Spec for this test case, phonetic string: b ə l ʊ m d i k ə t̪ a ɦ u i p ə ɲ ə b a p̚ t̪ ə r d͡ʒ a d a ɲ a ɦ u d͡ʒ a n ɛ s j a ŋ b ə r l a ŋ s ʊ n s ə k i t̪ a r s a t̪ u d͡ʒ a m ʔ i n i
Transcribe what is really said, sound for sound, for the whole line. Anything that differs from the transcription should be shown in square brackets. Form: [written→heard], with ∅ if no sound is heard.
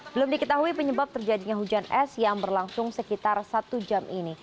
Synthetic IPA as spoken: b ə l ʊ m d i k ə t̪ a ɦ u i p ə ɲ ə b a p̚ t̪ ə r d͡ʒ a d [a→i] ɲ a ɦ u d͡ʒ a n ɛ s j a ŋ b ə r l a ŋ s ʊ [n→ŋ] s ə k i t̪ a r s a t̪ u d͡ʒ a m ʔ i n i